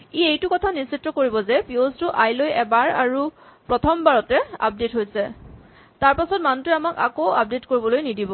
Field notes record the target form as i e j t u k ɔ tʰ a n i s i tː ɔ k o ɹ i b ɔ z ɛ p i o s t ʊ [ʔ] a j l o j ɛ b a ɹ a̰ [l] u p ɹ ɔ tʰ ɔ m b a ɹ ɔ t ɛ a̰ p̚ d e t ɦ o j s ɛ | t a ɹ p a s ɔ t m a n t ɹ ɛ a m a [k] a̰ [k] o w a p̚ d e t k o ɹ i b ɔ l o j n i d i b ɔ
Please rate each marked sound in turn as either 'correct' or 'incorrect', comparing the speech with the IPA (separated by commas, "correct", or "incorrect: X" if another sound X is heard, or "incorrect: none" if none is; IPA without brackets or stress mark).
correct, incorrect: ɹ, correct, correct